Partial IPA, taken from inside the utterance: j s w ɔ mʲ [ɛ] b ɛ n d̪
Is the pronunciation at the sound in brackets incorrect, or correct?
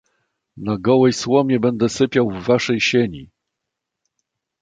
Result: correct